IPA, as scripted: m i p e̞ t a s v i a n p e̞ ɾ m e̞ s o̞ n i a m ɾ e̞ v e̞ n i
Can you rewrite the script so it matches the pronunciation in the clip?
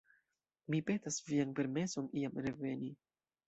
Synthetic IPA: m i p e̞ t a s v i a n p e̞ ɾ m e̞ s o̞ n i a m ɾ e̞ v e̞ n i

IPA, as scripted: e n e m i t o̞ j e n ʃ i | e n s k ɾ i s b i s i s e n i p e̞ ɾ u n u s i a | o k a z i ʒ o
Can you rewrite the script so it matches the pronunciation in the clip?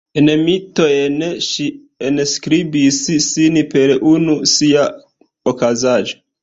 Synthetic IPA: e n e m i t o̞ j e n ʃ i | e n s k ɾ i b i s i s i n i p e̞ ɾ u n u s i a | o k a z a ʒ o

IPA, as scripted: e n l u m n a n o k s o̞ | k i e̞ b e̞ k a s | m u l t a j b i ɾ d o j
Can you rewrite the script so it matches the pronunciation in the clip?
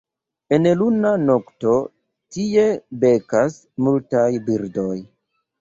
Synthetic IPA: e n l u n a n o k t o̞ | t i e̞ b e̞ k a s | m u l t a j b i ɾ d o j

